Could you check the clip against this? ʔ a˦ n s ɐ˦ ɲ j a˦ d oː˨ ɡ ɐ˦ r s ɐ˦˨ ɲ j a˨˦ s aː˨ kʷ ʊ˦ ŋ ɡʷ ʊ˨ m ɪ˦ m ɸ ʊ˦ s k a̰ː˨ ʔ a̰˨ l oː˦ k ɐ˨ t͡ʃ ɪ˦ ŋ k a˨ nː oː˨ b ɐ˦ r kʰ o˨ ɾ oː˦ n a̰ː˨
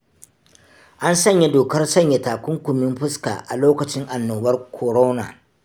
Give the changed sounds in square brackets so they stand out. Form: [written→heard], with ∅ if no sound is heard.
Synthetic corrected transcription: ʔ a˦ n s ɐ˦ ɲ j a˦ d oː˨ [ɡ→k] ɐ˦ r s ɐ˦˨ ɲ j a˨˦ [s→t] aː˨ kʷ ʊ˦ ŋ [ɡʷ→kʷ] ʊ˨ m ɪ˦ m ɸ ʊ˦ s k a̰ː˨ ʔ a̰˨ l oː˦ k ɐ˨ t͡ʃ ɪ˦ ŋ [k→ʔ] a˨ nː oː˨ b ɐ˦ r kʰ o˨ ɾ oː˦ n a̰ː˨